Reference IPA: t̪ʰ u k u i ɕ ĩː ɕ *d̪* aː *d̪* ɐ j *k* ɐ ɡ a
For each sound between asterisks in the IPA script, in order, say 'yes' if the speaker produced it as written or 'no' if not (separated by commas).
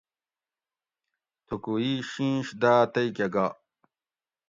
yes, no, yes